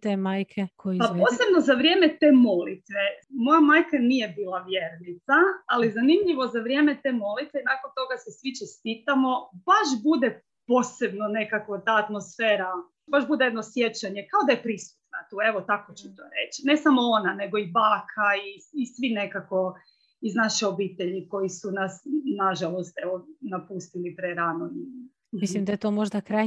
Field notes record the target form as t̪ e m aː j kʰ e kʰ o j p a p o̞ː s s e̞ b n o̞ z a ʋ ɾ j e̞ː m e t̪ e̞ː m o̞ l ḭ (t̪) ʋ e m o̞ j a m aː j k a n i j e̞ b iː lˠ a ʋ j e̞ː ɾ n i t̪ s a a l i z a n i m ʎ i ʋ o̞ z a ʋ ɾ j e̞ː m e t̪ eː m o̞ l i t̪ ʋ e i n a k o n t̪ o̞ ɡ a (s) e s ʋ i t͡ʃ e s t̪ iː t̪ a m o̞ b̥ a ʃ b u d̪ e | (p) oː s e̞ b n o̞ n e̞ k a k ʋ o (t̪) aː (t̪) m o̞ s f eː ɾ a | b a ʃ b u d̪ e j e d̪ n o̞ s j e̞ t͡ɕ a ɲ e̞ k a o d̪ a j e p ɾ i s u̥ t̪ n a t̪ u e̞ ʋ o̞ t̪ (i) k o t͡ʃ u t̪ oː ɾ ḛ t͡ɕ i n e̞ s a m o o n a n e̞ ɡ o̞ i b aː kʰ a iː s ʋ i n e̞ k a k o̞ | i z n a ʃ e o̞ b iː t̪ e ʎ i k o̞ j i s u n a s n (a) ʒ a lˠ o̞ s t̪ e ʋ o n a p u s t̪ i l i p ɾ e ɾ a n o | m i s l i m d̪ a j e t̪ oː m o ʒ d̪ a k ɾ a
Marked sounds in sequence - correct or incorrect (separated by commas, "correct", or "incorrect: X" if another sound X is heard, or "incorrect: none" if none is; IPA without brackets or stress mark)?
correct, correct, correct, correct, correct, incorrect: a, correct